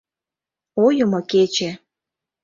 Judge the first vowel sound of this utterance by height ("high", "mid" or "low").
mid